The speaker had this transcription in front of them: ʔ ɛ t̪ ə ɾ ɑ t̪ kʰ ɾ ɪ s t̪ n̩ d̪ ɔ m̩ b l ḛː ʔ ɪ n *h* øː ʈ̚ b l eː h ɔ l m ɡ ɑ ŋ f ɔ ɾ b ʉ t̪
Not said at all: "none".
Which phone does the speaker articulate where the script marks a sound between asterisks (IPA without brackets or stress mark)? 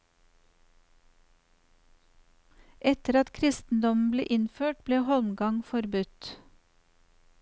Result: f